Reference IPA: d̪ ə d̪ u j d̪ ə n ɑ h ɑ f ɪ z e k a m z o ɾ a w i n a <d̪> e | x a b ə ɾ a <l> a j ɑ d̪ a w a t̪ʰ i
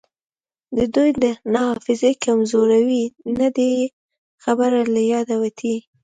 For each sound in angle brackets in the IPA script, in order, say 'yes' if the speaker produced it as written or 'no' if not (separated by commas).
yes, yes